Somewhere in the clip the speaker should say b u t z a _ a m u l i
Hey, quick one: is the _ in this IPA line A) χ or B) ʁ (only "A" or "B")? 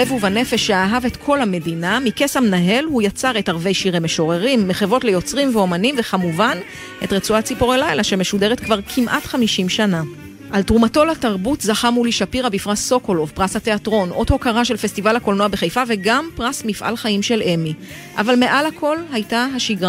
A